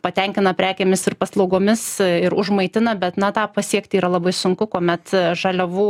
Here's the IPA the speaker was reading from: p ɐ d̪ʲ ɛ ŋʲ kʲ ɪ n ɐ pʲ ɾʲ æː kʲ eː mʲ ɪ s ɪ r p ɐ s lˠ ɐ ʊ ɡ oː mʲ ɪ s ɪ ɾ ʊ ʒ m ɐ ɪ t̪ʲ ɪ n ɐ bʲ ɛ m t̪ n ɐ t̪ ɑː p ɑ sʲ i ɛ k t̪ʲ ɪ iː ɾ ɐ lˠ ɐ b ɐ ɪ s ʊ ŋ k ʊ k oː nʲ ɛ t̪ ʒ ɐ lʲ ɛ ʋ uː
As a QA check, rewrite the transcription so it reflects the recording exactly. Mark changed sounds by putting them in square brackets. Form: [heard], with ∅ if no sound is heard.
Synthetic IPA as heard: p ɐ [t̪ʲ] ɛ ŋʲ kʲ ɪ n ɐ pʲ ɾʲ æː kʲ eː mʲ ɪ s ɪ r p ɐ s lˠ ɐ ʊ ɡ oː mʲ ɪ s ɪ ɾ ʊ ʒ m ɐ ɪ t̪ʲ ɪ n ɐ bʲ ɛ [∅] t̪ n ɐ t̪ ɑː p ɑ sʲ i ɛ k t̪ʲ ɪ iː ɾ ɐ lˠ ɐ b ɐ ɪ s ʊ ŋ k ʊ k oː [mʲ] ɛ t̪ ʒ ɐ lʲ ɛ ʋ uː